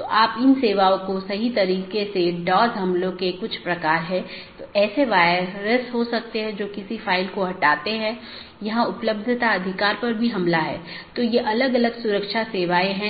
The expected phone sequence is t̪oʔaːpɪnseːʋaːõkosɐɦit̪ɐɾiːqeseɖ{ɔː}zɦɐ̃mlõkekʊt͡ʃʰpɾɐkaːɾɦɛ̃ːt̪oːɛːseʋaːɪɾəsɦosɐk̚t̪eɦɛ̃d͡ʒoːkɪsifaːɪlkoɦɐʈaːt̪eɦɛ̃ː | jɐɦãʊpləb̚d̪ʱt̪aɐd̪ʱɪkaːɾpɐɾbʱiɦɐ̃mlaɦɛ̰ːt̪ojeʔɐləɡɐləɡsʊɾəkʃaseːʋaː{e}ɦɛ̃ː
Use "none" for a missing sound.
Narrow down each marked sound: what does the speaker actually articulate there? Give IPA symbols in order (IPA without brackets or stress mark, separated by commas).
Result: ɔː, e